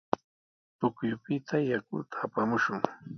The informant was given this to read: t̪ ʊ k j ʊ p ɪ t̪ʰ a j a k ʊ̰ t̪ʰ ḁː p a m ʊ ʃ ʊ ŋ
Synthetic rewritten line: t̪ ʊ k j ʊ p ɪ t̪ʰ a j a k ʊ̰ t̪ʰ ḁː p a m ʊ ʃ ʊ ŋ